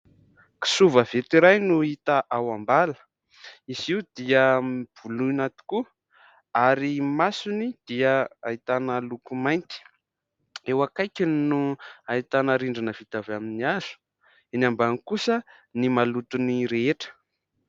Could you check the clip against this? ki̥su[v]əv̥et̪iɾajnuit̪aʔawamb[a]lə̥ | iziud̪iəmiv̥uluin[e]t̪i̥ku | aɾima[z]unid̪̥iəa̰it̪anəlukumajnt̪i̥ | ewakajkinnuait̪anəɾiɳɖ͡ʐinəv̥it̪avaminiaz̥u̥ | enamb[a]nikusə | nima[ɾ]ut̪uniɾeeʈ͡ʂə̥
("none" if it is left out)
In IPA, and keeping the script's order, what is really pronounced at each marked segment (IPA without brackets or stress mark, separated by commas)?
v, a, a, s, a, l